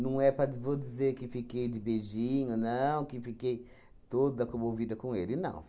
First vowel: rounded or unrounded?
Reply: unrounded